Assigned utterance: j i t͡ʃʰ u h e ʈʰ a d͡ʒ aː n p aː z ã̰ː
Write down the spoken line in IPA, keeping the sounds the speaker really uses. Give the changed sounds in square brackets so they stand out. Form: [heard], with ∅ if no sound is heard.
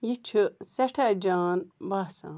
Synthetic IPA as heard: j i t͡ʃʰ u [s] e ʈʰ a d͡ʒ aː n [b] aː [s] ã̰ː